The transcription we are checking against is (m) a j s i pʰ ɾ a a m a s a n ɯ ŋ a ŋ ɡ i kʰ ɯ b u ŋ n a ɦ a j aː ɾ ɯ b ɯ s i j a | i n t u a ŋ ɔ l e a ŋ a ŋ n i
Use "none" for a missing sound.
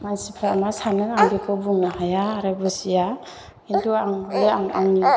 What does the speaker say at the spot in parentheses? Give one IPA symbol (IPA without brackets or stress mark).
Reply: m